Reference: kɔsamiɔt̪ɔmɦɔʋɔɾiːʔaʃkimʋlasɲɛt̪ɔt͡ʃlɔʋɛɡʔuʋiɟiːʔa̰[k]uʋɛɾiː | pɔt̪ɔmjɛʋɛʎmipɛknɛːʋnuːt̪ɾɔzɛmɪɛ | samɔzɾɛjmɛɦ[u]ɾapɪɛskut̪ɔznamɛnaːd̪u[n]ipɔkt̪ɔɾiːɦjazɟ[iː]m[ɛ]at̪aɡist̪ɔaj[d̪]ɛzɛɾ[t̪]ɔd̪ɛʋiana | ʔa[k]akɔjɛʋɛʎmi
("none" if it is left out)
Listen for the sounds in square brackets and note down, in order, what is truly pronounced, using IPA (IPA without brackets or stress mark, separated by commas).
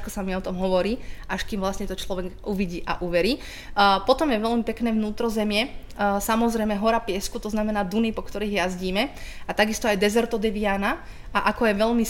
ʔ, ɔ, n, iː, ɛ, d̪, t̪, ʔ